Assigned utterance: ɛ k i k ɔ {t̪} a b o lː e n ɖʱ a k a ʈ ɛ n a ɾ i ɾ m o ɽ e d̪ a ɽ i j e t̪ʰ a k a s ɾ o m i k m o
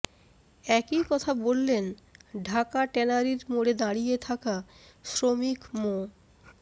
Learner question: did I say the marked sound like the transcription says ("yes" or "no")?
no